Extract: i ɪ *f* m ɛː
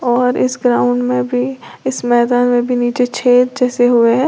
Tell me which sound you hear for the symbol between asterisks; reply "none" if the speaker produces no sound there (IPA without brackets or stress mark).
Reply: s